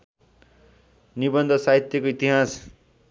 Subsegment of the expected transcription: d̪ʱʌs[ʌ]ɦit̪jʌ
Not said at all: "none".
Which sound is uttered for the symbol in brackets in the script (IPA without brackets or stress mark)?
a